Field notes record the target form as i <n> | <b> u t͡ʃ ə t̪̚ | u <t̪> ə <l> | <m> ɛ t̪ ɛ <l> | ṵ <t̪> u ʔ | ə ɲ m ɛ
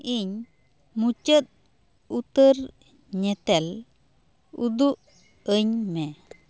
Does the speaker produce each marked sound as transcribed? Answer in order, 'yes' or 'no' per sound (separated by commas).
no, no, yes, no, no, yes, no